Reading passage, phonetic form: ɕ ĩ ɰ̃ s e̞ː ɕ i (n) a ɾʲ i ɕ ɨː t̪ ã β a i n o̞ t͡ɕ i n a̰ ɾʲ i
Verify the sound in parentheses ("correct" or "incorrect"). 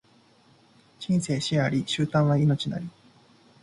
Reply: incorrect